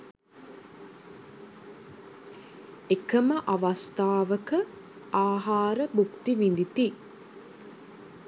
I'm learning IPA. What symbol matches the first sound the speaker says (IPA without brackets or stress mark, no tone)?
e